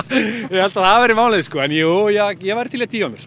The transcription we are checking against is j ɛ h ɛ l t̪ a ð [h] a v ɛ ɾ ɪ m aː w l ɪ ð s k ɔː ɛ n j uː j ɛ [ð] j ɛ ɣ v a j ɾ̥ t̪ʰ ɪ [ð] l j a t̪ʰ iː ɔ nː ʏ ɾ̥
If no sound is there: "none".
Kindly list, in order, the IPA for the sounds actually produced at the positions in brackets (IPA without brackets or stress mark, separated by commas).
θ, ɣ, none